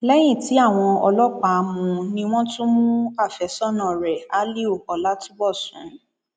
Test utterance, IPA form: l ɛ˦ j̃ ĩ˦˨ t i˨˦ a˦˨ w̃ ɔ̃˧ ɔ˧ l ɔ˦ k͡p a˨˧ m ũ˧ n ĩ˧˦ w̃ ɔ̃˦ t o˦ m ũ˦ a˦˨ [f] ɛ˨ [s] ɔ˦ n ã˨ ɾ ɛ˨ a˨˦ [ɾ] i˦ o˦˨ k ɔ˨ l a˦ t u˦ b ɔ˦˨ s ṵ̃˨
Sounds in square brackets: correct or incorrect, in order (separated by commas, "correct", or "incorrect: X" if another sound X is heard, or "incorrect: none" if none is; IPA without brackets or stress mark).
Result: correct, correct, incorrect: l